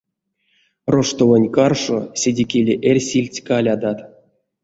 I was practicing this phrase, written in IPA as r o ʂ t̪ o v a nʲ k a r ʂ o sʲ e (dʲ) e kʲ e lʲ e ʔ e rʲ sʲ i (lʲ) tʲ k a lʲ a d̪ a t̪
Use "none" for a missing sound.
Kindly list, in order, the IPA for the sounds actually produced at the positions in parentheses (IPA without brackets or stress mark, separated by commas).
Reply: dʲ, lʲ